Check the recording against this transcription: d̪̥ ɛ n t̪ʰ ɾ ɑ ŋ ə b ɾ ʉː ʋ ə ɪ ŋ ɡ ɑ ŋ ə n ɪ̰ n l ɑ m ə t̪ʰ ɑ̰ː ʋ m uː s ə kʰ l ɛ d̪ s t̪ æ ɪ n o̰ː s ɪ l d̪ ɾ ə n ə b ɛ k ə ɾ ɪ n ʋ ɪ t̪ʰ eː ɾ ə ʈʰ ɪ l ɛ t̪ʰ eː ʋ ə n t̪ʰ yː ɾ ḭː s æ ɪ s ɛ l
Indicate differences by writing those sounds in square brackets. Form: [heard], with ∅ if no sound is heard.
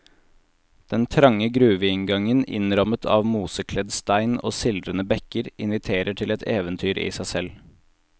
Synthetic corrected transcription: d̪̥ ɛ n t̪ʰ ɾ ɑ ŋ ə [ɡ] ɾ ʉː ʋ ə ɪ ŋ ɡ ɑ ŋ ə n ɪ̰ n [ɾ] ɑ m ə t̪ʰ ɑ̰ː ʋ m uː s ə kʰ l ɛ d̪ s t̪ æ ɪ n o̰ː s ɪ l d̪ ɾ ə n ə b ɛ k ə ɾ ɪ n ʋ ɪ t̪ʰ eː ɾ ə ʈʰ ɪ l ɛ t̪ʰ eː ʋ ə n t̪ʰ yː ɾ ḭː s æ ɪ s ɛ l